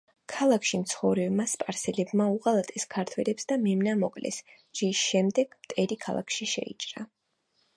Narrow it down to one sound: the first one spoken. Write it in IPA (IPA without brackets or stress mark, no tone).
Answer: kʰ